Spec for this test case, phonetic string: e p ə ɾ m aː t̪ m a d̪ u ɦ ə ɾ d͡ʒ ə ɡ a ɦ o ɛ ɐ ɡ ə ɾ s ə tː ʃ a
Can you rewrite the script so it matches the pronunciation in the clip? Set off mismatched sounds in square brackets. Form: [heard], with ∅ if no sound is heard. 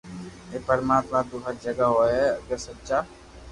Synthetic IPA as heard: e p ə ɾ m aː t̪ m a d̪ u ɦ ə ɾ d͡ʒ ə ɡ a ɦ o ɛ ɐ ɡ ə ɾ s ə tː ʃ a